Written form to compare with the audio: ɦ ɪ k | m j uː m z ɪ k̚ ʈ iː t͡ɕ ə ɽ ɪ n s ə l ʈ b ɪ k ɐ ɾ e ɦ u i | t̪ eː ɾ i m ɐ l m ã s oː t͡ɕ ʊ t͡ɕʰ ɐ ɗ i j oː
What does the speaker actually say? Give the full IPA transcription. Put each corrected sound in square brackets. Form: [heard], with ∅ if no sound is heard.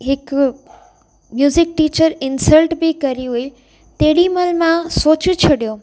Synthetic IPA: ɦ ɪ k | m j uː [∅] z ɪ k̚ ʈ iː t͡ɕ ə [ɾ] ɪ n s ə l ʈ b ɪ k ɐ ɾ [i] ɦ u i | t̪ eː [ɽ] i m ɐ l m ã s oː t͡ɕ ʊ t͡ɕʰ ɐ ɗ i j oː

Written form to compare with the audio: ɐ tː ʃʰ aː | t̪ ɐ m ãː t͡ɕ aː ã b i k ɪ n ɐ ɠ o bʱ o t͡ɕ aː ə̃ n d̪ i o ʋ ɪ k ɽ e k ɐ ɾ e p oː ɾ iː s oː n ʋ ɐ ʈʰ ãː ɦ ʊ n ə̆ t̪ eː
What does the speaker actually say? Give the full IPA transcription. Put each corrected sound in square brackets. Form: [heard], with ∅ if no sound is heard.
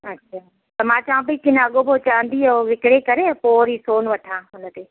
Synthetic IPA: ɐ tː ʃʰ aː | t̪ ɐ m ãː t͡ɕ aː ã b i k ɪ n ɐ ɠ o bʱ o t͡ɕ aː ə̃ n d̪ i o ʋ ɪ k ɽ e k ɐ ɾ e p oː ɾ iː s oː n ʋ ɐ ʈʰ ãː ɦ ʊ n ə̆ t̪ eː

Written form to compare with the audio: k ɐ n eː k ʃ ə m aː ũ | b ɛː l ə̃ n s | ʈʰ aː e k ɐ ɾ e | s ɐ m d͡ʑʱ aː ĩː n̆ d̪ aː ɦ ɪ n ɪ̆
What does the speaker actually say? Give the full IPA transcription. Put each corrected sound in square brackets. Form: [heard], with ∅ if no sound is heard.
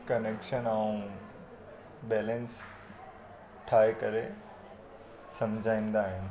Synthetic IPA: k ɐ n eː k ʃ ə [n] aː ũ | b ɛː l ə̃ n s | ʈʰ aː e k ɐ ɾ e | s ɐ m d͡ʑʱ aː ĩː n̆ d̪ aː ɦ ɪ n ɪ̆

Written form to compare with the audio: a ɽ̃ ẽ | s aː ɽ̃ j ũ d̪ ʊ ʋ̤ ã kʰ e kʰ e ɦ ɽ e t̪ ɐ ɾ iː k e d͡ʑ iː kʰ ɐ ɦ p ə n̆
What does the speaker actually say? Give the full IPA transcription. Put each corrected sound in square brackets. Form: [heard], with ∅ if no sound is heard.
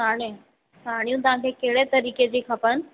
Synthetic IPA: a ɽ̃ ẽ | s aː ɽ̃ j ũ [t̪] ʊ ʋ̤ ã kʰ e [k] e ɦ ɽ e t̪ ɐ ɾ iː k e d͡ʑ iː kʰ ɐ [∅] p ə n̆

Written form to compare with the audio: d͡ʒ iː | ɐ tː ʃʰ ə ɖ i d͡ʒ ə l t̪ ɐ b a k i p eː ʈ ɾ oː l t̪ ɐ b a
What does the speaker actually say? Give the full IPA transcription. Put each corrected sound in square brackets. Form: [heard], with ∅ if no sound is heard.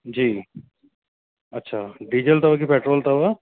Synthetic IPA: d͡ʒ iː | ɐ tː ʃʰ [a] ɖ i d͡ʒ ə l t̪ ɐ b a k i p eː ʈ ɾ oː l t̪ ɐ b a

